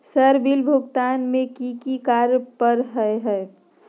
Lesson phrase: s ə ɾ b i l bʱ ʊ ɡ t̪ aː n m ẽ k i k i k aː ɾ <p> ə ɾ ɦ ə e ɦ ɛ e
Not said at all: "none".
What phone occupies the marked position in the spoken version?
p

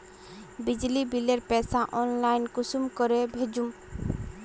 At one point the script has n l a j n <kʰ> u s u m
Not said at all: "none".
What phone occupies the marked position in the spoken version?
k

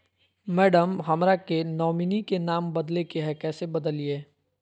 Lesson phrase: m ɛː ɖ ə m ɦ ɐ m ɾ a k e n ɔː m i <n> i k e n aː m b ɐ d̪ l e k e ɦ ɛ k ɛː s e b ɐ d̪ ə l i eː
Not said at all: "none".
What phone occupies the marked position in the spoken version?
n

